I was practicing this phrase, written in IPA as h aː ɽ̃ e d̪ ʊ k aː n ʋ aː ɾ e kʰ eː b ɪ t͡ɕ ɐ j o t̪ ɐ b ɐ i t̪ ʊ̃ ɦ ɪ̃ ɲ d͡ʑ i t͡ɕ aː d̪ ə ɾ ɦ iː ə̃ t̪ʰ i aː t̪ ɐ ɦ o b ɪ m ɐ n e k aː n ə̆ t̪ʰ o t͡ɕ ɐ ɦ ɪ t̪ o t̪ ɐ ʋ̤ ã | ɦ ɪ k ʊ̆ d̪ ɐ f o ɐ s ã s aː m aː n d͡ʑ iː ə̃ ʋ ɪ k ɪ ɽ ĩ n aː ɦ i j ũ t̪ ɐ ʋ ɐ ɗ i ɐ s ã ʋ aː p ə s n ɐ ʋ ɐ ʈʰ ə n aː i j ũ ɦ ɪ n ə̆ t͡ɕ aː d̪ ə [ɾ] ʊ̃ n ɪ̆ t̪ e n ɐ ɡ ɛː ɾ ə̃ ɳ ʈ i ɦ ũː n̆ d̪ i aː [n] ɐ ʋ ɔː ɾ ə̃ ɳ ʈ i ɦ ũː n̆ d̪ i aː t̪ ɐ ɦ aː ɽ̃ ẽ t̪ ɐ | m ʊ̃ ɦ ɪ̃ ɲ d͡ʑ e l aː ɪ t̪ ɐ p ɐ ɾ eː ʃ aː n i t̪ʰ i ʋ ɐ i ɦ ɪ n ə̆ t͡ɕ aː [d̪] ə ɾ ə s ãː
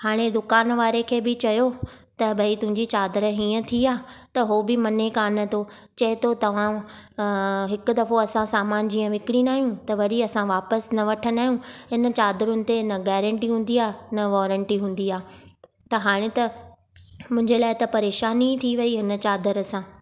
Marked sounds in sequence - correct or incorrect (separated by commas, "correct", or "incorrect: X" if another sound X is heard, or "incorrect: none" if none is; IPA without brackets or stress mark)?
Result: correct, correct, correct